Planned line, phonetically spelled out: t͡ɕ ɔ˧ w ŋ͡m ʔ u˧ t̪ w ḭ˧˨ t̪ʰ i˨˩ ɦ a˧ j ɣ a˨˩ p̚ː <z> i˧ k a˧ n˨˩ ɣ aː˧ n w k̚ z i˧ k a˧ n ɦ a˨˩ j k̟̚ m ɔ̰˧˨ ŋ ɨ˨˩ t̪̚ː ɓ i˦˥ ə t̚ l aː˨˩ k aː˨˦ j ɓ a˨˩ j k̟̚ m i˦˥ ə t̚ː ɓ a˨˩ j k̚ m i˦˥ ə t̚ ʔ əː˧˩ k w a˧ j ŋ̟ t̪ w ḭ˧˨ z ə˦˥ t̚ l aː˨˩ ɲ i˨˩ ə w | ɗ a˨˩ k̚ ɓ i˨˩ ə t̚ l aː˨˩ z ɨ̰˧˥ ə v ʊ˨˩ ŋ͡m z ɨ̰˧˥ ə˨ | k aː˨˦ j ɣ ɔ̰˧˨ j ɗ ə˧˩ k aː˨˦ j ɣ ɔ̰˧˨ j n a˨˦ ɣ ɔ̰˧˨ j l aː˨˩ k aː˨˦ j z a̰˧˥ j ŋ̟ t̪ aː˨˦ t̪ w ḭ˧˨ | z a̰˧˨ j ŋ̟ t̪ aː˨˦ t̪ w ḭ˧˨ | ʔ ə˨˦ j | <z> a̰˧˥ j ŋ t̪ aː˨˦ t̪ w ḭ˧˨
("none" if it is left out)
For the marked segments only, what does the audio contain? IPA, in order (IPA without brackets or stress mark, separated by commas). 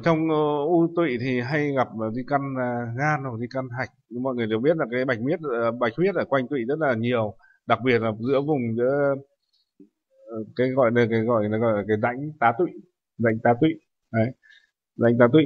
z, z